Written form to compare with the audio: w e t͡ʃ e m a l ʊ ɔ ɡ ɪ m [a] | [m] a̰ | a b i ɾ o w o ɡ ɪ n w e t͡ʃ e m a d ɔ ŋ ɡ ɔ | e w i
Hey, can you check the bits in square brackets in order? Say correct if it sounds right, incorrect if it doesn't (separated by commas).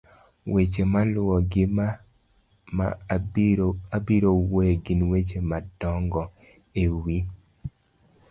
correct, correct